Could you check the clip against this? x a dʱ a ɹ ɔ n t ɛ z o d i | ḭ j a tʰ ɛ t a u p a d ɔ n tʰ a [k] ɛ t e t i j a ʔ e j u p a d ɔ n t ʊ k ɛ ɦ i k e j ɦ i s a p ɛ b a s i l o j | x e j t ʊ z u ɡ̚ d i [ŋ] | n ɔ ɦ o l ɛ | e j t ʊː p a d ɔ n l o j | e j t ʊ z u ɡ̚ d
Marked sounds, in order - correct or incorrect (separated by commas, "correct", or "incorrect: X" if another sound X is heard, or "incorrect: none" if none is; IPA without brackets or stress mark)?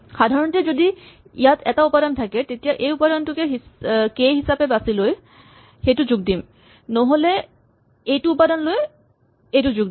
correct, incorrect: m